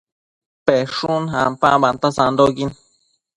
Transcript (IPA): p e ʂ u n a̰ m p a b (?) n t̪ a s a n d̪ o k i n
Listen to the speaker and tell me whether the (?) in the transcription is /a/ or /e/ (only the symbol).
a